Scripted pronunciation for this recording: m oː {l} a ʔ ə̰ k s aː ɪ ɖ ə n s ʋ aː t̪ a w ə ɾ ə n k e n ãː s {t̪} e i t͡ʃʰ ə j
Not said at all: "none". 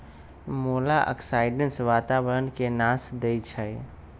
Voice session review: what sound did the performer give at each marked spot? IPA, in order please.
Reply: l, d̪

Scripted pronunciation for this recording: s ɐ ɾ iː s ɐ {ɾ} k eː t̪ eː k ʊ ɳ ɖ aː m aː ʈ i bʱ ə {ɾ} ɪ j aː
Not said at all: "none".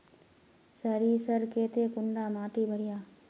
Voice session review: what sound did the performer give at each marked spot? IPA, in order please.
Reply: ɾ, ɾ

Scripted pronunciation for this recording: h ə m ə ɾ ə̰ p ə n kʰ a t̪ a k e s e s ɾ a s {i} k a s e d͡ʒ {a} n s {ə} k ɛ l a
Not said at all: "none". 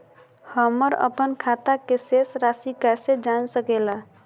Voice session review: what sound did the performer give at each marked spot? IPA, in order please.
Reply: i, a, ə

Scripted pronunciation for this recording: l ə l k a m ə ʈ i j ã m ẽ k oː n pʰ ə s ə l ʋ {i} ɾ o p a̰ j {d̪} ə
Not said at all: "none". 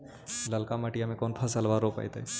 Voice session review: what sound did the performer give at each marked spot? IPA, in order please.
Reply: a, t̪

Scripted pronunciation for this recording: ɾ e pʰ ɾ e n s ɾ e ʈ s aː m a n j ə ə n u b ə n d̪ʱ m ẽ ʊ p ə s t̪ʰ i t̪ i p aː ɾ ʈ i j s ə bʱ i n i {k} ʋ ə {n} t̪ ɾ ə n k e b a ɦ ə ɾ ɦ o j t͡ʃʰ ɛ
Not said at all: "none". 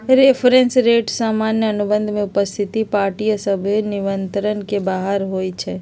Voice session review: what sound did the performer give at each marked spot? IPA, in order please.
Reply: none, n

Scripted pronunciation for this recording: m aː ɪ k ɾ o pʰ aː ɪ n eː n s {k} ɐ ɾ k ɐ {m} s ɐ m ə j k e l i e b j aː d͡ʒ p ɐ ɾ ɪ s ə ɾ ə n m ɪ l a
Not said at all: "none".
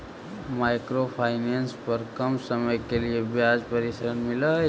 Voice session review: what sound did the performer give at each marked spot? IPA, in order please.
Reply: p, m

